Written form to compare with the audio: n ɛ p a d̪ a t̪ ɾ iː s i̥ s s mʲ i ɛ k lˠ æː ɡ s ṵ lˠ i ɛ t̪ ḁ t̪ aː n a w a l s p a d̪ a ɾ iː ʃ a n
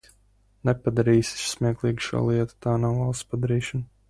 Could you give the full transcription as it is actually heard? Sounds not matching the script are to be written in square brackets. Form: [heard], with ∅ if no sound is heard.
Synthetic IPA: n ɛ p a d̪ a [∅] ɾ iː s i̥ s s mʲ i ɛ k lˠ [iː] ɡ [ʃ] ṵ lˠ i ɛ t̪ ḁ t̪ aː n a w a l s p a d̪ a ɾ iː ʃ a n

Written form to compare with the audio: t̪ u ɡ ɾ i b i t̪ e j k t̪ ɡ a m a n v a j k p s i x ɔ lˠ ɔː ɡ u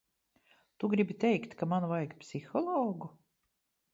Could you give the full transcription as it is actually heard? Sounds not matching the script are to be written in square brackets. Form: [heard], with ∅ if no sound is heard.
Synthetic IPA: t̪ u ɡ ɾ i b i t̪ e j k t̪ [k] a m a n v a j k p s i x ɔ lˠ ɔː ɡ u

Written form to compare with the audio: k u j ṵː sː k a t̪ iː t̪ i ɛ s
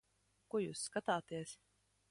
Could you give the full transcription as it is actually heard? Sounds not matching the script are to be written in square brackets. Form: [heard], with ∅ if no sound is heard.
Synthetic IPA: k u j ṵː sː k a t̪ [aː] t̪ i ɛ s

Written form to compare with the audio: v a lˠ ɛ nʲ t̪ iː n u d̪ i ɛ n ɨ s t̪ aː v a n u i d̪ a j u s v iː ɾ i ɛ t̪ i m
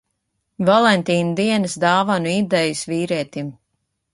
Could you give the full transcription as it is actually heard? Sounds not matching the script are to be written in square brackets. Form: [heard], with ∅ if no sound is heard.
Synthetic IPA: v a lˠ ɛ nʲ t̪ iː n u d̪ i ɛ n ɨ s [d̪] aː v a n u i d̪ [ɛ] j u s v iː ɾ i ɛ t̪ i m

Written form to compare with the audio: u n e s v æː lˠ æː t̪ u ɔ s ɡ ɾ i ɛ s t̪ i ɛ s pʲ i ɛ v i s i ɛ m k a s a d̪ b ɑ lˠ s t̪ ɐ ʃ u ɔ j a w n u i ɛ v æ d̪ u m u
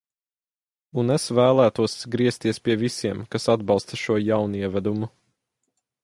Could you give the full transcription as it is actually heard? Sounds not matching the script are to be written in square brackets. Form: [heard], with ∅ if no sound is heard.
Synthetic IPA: u n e s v æː lˠ æː t̪ u ɔ s ɡ ɾ i ɛ s t̪ i ɛ s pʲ i ɛ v i s i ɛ m k a s a d̪ b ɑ lˠ s t̪ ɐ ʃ u ɔ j a w n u i ɛ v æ d̪ u m u

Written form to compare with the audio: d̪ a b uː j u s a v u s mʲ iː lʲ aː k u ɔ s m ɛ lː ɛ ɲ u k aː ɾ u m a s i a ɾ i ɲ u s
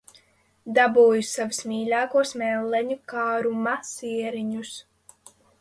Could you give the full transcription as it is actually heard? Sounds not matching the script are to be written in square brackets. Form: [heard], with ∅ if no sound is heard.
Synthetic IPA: d̪ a b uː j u s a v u s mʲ iː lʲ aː k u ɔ s m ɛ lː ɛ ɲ u k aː ɾ u m a s i [ɛ] ɾ i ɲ u s

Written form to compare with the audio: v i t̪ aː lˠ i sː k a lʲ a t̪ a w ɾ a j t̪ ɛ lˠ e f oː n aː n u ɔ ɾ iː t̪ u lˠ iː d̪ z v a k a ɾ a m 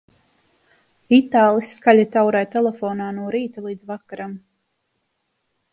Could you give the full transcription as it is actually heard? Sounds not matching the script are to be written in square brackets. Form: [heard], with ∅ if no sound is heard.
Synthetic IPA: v i t̪ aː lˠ i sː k a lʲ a t̪ a w ɾ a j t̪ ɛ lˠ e f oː n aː n u ɔ ɾ iː t̪ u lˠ iː d̪ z v a k a ɾ a m

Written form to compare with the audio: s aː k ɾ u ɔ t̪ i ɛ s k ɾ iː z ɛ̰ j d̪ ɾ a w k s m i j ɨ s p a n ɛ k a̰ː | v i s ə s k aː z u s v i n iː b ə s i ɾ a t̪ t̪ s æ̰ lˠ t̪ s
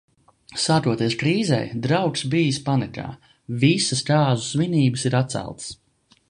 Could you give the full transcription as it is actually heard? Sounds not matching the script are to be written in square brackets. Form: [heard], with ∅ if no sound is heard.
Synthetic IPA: s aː k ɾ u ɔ t̪ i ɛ s k ɾ iː z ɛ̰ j d̪ ɾ a w k s [b] i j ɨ s p a n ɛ k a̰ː | v i s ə s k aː z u s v i n iː b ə s i ɾ a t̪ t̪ s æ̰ lˠ t̪ s

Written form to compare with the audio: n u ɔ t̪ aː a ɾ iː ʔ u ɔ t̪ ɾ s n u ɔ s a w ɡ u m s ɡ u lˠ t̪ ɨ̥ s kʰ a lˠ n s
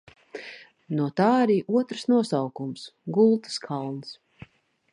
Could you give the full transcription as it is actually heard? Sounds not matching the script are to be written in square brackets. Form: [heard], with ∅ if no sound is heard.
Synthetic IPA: n u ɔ t̪ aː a ɾ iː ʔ u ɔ t̪ ɾ s n u ɔ s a w [k] u m s ɡ u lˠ t̪ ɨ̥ s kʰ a lˠ n s

